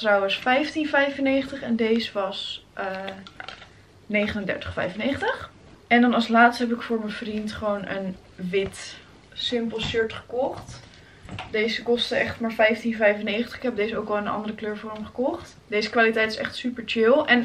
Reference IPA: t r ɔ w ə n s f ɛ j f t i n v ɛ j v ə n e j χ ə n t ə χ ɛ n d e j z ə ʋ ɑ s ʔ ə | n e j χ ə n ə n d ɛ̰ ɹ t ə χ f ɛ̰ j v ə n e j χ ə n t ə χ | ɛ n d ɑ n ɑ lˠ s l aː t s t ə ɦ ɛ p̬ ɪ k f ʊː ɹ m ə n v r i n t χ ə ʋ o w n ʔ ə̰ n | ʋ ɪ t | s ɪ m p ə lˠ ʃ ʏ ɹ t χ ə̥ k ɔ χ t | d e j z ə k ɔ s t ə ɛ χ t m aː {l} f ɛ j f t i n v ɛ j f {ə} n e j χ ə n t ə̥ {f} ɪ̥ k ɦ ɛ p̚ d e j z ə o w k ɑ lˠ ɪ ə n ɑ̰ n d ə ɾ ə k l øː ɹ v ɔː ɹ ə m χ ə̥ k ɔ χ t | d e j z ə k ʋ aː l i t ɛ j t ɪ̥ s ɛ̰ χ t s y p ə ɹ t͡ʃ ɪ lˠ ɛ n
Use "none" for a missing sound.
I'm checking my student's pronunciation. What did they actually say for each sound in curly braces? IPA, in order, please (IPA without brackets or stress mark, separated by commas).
ɹ, ə, χ